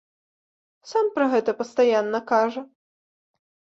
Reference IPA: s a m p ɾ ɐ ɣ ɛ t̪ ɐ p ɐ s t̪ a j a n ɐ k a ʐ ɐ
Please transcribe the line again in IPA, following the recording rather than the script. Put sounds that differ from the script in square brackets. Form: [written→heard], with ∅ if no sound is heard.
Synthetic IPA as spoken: s a m p ɾ ɐ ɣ ɛ t̪ ɐ p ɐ s t̪ a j a [n→nː] ɐ k a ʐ ɐ